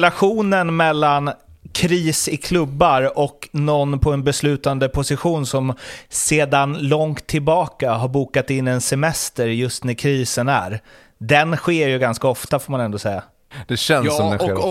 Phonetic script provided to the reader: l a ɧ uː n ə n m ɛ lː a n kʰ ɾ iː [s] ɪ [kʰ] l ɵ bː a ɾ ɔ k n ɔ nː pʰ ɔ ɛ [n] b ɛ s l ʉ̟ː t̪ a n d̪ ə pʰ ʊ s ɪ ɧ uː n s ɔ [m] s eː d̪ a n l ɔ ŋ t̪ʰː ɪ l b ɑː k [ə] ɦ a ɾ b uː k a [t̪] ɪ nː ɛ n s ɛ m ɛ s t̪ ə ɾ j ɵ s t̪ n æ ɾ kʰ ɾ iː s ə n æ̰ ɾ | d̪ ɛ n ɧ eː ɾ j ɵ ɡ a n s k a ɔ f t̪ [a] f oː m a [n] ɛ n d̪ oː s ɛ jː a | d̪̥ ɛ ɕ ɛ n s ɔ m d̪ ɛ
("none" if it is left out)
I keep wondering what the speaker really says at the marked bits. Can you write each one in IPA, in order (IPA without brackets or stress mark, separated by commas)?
s, kʰ, n, m, a, t̪, a, n